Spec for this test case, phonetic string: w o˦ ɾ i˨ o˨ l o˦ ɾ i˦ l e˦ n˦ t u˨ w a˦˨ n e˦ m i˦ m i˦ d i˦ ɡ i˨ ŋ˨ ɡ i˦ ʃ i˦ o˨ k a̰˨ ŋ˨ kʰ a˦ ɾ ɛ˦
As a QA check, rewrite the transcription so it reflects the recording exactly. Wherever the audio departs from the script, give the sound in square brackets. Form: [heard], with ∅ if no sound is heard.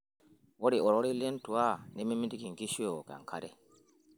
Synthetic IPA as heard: w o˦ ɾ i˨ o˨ [ɾ] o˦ ɾ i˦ l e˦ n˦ t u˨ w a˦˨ n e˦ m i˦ m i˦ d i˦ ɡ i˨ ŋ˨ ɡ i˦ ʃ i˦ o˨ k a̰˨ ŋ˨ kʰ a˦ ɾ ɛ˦